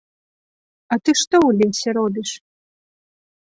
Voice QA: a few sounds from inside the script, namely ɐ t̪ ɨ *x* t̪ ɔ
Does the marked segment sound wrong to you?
yes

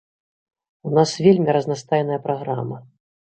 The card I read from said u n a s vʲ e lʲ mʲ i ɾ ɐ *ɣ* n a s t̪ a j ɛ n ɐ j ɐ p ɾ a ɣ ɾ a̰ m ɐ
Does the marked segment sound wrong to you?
yes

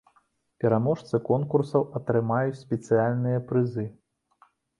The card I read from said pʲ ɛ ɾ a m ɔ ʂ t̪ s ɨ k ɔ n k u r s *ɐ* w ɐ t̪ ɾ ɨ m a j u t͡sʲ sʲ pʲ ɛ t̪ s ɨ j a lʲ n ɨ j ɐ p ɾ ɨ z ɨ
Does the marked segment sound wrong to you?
no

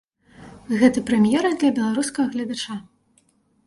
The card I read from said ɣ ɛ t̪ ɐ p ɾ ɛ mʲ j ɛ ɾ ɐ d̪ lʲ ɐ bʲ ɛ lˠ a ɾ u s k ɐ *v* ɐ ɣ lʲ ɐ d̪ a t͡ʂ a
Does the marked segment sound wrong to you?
yes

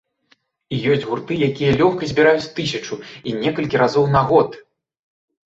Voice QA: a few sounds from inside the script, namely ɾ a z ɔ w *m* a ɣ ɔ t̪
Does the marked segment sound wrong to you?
yes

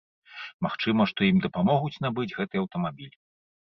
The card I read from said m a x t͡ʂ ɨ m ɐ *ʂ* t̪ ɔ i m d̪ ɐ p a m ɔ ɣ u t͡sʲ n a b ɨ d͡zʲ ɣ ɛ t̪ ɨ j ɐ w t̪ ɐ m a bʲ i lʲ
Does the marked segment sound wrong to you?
no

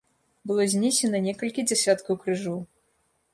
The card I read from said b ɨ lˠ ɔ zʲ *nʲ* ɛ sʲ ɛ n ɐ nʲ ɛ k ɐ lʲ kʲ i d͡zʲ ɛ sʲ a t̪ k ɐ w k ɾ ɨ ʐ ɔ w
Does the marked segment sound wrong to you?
no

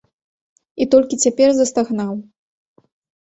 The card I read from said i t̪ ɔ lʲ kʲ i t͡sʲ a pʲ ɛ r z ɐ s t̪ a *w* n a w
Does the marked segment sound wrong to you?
yes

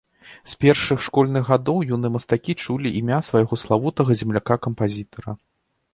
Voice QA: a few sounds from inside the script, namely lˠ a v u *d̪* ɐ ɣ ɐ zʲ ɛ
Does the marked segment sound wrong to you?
yes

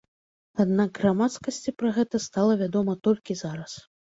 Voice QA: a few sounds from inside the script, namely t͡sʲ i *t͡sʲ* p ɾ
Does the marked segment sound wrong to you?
yes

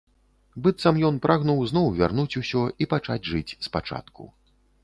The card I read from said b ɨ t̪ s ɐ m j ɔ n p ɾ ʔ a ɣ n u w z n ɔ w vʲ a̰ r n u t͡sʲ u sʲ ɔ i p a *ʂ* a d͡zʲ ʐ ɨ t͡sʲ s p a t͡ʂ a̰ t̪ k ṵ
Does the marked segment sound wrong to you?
yes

